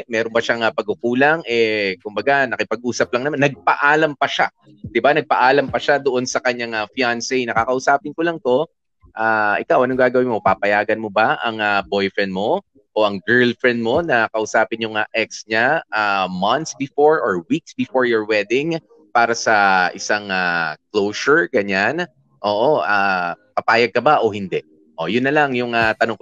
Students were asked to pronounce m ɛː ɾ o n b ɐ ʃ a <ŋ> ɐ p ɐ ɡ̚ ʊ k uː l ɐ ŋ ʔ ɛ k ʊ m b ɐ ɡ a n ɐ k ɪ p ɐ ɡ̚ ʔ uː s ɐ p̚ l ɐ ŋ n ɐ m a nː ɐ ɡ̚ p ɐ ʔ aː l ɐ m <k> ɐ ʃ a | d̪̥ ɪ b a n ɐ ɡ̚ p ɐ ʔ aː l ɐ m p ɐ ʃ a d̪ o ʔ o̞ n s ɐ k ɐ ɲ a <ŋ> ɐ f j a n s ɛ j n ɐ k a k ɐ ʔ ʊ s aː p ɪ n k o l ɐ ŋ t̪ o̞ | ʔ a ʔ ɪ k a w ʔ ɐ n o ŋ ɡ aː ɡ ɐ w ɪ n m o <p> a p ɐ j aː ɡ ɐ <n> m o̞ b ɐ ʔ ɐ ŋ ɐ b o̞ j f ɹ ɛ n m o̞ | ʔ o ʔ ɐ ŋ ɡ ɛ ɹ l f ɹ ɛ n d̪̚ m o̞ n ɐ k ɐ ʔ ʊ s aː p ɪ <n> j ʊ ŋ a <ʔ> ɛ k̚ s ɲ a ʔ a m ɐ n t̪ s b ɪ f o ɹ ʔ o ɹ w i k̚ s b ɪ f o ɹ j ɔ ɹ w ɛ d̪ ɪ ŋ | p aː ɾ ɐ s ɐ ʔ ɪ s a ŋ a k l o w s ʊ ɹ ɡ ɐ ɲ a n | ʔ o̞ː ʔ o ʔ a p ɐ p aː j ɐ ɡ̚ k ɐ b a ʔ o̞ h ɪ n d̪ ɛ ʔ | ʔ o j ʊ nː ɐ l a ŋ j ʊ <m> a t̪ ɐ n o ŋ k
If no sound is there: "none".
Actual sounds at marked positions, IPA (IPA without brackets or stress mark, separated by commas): ŋ, p, ŋ, p, n, n, ʔ, ŋ